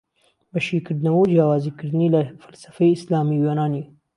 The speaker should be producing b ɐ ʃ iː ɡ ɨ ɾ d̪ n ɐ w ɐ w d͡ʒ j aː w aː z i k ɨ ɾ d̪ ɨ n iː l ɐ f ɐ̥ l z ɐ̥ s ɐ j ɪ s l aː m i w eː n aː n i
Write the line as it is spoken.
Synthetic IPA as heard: b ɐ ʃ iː k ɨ ɾ d̪ n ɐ w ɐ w d͡ʒ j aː w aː z i k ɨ ɾ d̪ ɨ n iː l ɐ f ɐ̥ l s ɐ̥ f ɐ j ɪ s l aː m i w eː n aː n i